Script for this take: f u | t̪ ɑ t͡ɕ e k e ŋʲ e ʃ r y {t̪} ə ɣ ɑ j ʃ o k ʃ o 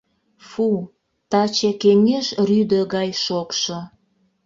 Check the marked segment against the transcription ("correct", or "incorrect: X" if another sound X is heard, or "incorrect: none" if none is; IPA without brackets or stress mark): incorrect: d̪